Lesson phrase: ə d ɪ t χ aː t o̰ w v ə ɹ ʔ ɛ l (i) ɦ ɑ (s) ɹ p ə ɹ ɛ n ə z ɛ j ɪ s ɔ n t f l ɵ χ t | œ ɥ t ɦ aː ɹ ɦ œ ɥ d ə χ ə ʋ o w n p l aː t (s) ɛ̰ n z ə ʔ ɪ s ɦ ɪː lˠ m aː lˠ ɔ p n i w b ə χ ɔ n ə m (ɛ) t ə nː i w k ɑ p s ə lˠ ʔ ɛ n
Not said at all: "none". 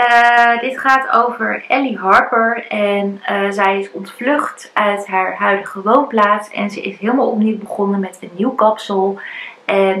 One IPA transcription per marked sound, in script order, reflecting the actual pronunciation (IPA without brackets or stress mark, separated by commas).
i, none, s, ɛ